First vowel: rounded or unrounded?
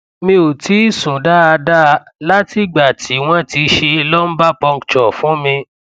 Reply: unrounded